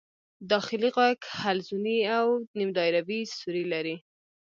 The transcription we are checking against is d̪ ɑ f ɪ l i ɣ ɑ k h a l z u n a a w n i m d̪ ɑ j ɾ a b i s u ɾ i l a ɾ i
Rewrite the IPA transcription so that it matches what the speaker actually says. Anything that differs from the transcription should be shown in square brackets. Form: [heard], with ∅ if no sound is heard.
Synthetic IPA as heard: d̪ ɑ [x] ɪ l i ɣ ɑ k h a l z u n [i] a w n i m d̪ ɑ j ɾ a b i s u ɾ i l a ɾ i